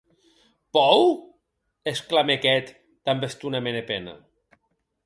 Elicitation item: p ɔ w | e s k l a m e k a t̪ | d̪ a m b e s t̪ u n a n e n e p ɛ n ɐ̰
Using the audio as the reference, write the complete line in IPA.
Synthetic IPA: p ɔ w | e s k l a m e k ɛ t̪ | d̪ a m b e s t̪ u n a m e n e p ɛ n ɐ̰